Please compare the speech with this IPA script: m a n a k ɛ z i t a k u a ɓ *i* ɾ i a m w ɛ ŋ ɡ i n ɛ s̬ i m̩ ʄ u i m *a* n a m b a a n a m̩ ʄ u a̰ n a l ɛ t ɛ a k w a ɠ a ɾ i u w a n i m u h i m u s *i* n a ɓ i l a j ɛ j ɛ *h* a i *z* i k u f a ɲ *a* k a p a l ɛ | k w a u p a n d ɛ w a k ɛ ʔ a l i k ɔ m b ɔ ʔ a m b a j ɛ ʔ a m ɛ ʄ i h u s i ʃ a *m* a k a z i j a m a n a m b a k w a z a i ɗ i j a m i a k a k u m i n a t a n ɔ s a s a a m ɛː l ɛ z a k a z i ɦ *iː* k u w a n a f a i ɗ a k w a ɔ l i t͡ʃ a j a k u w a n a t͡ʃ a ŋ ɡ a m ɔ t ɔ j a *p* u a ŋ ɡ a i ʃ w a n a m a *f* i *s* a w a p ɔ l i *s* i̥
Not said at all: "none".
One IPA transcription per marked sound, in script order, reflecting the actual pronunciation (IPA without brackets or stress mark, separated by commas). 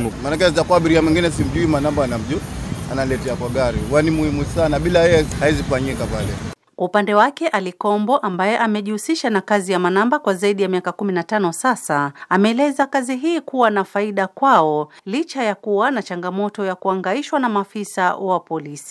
i, a, a, h, z, i, n, iː, k, f, s, s